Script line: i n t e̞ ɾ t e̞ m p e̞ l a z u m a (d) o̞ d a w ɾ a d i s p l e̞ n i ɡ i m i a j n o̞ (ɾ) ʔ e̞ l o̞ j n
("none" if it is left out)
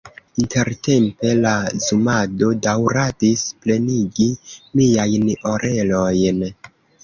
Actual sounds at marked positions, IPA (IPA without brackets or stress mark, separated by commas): d, ɾ